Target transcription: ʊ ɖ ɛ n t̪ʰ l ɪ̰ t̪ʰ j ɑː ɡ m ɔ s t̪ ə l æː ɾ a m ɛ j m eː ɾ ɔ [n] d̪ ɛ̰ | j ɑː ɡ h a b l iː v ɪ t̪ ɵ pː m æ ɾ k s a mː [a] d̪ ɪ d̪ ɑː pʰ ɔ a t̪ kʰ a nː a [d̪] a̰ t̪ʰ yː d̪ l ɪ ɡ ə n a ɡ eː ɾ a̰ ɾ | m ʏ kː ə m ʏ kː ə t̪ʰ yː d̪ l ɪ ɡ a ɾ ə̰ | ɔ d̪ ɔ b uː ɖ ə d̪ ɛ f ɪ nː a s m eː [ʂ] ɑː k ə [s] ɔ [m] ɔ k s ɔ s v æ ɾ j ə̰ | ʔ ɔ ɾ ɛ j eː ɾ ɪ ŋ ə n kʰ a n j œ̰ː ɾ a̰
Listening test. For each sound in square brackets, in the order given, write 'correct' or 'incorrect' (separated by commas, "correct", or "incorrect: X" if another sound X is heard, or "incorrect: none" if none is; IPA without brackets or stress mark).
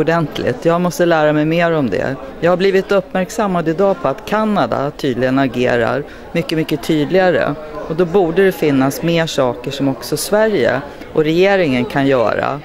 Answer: incorrect: m, correct, correct, correct, incorrect: ʂ, correct